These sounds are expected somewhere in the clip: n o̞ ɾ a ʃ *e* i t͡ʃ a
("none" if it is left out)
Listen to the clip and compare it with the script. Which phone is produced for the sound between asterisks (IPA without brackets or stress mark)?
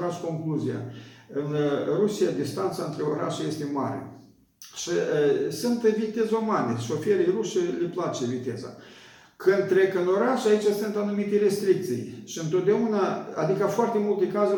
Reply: a